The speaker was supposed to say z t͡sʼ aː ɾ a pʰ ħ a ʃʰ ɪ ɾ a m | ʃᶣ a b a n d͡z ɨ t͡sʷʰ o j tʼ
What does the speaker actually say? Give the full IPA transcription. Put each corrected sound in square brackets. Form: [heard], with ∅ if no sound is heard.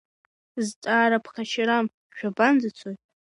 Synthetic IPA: z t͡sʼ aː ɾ a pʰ [χ] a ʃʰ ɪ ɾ a m | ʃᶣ a b a n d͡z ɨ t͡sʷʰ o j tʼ